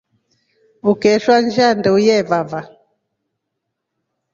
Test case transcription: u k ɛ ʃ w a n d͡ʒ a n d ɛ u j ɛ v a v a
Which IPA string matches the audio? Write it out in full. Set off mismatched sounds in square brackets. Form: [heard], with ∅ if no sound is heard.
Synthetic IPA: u k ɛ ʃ w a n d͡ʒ a n d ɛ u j ɛ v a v a

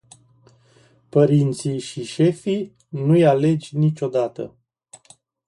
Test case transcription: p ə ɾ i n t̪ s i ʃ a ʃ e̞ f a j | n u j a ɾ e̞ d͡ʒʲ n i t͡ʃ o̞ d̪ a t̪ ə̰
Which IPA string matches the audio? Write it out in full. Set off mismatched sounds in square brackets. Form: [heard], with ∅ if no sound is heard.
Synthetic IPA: p ə ɾ i n t̪ s i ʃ [i] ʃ e̞ f [i] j | n u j a [l] e̞ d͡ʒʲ n i t͡ʃ o̞ d̪ a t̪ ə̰

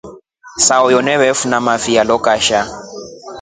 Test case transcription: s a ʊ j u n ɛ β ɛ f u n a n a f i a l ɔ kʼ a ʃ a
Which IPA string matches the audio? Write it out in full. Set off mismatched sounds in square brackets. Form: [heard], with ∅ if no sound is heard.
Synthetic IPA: s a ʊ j [ɔ] n ɛ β ɛ f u n a [m] a f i a l ɔ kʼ a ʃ a

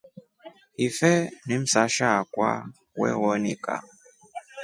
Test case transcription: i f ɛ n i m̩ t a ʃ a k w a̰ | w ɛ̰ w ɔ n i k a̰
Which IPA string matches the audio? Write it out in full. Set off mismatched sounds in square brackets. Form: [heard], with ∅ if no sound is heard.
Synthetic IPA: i f ɛ n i m̩ [s] a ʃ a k w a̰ | w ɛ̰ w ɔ n i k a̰

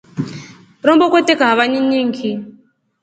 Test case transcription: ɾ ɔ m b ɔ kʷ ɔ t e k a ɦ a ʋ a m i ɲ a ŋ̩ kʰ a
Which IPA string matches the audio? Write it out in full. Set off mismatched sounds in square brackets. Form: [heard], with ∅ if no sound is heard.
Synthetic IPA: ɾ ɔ m b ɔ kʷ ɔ t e k a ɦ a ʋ a [ɲ] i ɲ [i] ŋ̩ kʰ [i]

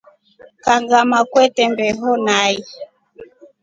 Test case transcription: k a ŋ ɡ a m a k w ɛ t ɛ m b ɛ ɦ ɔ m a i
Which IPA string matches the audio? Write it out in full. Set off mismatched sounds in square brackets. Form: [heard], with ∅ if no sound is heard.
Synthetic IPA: k a ŋ ɡ a m a k w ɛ t ɛ m b ɛ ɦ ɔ [n] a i

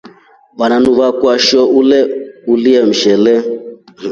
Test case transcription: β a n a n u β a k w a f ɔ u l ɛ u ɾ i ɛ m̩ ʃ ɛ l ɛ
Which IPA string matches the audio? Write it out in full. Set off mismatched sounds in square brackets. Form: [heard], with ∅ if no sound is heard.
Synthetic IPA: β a n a n u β a k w a [ʃ] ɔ u l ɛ u [l] i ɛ m̩ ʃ ɛ l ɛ

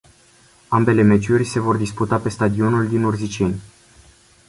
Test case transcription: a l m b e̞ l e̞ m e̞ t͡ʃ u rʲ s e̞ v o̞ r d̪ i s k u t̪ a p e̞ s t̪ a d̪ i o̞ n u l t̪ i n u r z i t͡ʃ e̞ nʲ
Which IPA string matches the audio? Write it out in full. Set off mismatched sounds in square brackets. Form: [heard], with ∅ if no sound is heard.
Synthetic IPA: a [∅] m b e̞ l e̞ m e̞ t͡ʃ u rʲ s e̞ v o̞ r d̪ i s [p] u t̪ a p e̞ s t̪ a d̪ i o̞ n u l [d̪] i n u r z i t͡ʃ e̞ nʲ

